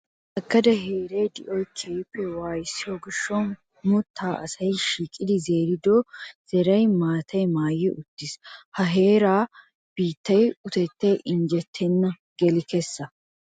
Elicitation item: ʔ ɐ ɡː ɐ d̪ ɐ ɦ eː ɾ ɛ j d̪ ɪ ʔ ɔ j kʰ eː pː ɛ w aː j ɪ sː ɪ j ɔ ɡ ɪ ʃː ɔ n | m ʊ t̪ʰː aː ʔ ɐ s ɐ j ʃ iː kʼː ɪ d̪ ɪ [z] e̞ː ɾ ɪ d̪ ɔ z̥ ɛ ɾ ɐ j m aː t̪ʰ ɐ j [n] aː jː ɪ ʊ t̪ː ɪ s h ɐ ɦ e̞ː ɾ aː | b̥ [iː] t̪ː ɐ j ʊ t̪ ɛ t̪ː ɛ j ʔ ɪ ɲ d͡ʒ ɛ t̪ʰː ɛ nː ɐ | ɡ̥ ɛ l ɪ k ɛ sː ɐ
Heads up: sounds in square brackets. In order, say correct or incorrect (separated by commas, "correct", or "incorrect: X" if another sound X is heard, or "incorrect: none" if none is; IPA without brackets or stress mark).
correct, incorrect: m, correct